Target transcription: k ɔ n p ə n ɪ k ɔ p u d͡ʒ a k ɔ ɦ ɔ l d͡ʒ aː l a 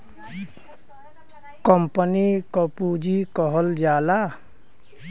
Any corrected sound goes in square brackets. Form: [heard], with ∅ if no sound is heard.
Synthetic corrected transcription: k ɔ [m] p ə n [i] k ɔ p u d͡ʒ [i] k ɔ ɦ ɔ l d͡ʒ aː l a